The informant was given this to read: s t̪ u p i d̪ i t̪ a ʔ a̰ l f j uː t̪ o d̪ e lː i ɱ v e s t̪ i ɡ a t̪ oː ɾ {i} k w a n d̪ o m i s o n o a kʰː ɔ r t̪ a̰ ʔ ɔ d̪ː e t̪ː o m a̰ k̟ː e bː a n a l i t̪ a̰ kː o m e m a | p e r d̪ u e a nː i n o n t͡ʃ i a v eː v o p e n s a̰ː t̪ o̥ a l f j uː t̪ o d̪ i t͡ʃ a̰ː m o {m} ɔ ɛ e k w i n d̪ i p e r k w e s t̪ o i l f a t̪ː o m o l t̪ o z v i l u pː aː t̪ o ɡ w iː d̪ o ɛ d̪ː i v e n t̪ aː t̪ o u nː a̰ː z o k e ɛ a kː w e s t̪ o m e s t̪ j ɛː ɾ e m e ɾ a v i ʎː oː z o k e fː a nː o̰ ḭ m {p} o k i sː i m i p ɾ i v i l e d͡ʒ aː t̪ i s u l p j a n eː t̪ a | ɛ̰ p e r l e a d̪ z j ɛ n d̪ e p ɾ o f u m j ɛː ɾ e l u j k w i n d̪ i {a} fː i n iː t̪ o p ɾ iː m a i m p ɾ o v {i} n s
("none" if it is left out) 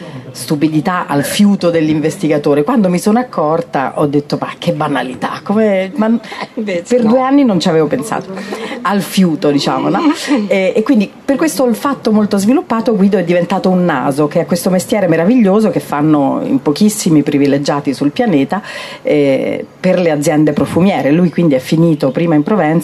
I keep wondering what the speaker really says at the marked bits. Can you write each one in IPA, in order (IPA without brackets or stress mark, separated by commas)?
e, n, p, ɛ, ɛ